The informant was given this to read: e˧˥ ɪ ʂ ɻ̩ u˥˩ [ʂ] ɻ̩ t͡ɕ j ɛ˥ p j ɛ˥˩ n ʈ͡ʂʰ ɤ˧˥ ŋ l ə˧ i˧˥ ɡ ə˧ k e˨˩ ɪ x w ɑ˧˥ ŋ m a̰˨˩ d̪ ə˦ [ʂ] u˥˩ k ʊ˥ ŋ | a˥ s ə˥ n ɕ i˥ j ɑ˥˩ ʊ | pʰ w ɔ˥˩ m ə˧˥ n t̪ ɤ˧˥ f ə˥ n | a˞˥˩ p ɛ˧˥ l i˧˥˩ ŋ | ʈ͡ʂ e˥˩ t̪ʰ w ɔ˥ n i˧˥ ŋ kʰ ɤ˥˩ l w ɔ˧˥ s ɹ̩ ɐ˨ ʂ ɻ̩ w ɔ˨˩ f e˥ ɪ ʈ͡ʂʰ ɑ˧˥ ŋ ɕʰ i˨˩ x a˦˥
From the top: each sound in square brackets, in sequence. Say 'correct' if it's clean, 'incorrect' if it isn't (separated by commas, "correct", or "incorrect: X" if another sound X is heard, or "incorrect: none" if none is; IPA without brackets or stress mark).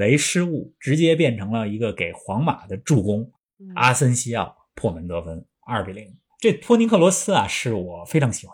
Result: incorrect: ʈ͡ʂ, incorrect: ʈ͡ʂ